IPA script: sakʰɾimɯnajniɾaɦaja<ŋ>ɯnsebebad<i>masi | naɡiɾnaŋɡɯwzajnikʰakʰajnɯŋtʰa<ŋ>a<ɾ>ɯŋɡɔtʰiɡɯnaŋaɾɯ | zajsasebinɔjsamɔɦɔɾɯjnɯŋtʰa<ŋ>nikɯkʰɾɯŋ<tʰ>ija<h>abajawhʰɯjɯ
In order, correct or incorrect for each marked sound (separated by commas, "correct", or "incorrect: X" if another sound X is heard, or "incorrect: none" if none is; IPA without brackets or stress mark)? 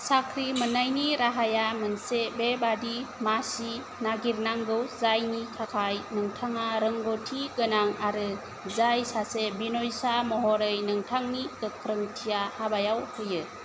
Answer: incorrect: m, correct, correct, correct, correct, correct, correct